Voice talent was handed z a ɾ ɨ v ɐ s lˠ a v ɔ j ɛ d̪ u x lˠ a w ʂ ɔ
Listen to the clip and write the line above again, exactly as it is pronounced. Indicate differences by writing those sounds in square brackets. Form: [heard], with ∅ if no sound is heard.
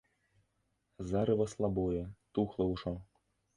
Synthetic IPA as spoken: z a ɾ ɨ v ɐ s lˠ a [b] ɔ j ɛ [t̪] u x lˠ [ɐ] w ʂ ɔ